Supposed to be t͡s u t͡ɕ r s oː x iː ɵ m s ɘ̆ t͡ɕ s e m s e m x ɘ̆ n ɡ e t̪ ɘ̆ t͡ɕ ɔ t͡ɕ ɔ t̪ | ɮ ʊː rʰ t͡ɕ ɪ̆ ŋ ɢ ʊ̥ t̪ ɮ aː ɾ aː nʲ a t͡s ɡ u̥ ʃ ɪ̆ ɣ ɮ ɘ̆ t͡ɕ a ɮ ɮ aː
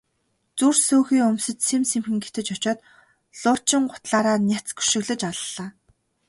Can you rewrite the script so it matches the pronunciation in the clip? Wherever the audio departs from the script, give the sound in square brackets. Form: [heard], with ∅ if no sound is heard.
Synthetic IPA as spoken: t͡s u [∅] r s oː x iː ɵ m s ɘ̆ t͡ɕ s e m s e m x ɘ̆ [ŋ] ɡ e t̪ ɘ̆ t͡ɕ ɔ t͡ɕ [ɔː] t̪ | ɮ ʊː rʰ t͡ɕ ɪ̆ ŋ ɢ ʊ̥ t̪ ɮ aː ɾ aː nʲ a t͡s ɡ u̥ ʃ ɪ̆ ɣ ɮ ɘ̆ t͡ɕ a ɮ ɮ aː